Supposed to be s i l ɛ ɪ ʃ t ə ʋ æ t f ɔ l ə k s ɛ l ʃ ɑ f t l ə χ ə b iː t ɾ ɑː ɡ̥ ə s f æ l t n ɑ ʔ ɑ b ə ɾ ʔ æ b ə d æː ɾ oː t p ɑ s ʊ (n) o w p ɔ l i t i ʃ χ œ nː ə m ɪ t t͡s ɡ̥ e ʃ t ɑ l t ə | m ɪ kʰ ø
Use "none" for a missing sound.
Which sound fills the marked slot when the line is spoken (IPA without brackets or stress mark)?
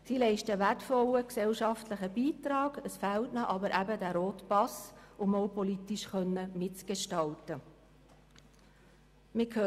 m